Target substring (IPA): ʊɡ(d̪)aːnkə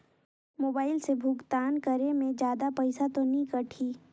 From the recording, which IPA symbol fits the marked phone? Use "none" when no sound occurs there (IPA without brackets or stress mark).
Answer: t̪